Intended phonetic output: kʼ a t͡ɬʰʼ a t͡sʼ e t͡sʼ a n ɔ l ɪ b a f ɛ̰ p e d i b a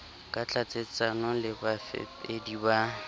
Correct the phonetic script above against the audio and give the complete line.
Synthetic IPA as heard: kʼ a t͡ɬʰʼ a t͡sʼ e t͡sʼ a n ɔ l ɪ b a f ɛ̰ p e d i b a